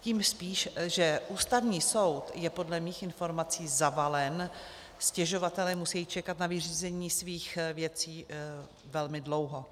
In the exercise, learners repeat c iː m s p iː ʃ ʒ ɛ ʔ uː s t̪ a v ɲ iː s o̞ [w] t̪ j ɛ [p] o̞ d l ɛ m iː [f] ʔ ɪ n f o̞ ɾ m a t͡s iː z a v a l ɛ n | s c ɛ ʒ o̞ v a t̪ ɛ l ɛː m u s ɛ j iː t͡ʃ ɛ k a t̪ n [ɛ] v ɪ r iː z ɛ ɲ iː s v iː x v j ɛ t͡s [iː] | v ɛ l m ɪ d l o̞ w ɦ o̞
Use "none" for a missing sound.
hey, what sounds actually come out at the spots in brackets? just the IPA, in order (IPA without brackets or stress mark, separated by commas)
w, p, x, a, iː